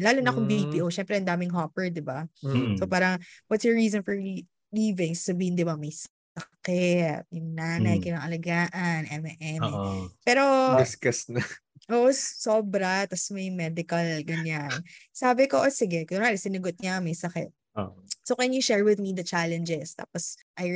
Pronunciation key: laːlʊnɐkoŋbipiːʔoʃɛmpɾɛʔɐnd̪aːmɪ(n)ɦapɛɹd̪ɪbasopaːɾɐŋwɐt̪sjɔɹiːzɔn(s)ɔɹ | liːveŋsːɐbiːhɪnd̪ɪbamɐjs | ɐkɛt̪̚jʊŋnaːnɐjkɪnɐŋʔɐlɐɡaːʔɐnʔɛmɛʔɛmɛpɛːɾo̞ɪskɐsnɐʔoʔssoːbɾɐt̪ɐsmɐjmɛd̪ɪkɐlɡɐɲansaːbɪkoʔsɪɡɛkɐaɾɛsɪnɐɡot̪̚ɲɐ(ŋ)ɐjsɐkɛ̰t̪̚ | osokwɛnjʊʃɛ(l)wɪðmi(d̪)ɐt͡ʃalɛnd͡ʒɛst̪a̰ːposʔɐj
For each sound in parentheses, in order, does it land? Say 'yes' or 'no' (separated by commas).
no, no, no, no, yes